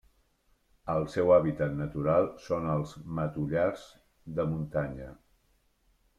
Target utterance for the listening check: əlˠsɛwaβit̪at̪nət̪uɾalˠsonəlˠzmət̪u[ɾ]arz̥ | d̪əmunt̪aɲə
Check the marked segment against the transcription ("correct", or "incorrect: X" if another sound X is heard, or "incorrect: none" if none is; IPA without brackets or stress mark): incorrect: ʎ